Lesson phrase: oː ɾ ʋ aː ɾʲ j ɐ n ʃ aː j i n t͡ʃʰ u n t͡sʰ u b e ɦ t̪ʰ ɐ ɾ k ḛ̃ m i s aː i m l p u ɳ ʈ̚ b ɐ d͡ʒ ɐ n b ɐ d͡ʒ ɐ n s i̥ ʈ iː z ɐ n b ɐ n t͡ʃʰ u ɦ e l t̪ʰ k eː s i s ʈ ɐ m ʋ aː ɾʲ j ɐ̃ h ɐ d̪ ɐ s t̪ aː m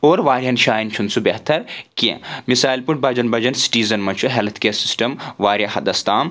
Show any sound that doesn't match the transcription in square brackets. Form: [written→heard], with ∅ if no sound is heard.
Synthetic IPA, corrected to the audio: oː ɾ ʋ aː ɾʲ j ɐ n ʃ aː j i n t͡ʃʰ u n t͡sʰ u b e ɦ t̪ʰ ɐ ɾ k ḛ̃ m i s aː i [m→∅] l p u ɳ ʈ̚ b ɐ d͡ʒ ɐ n b ɐ d͡ʒ ɐ n s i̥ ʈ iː z ɐ n [b→m] ɐ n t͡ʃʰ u ɦ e l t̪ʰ k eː s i s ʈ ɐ m ʋ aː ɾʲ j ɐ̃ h ɐ d̪ ɐ s t̪ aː m